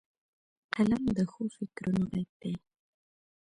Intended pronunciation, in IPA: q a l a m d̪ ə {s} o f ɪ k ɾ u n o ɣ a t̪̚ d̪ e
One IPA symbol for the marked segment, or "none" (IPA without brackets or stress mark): x